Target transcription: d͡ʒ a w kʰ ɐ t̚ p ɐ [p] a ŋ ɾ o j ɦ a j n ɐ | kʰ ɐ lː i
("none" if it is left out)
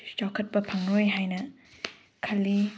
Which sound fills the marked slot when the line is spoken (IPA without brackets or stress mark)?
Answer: pʰ